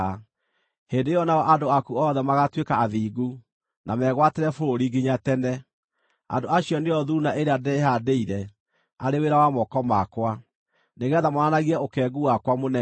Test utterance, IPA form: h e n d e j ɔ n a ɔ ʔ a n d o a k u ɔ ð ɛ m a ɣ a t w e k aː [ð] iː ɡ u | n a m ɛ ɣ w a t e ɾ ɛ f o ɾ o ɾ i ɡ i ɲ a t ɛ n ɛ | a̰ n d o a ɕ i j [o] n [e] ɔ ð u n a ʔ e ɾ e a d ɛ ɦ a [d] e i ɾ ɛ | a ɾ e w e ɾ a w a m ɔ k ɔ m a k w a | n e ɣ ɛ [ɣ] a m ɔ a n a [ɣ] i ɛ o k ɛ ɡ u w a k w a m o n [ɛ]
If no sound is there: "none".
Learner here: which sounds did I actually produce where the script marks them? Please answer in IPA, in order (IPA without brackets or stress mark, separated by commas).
ð, ɔ, e, d, ð, ɣ, ɛ